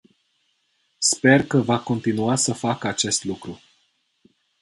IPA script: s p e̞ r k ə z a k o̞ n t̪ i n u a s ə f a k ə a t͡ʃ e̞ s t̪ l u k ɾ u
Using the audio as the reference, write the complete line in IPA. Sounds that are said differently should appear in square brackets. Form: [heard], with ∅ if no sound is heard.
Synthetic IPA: s p e̞ r k ə [v] a k o̞ n t̪ i n u a s ə f a k ə a t͡ʃ e̞ s t̪ l u k ɾ u